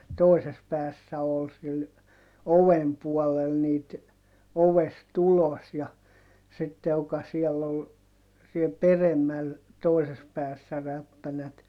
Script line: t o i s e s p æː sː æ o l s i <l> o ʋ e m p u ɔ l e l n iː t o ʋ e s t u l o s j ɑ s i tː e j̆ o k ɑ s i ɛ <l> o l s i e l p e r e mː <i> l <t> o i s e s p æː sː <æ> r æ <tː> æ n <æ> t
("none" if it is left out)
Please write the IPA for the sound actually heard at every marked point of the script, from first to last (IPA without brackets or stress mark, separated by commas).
l, lː, æ, t, æ, pː, æ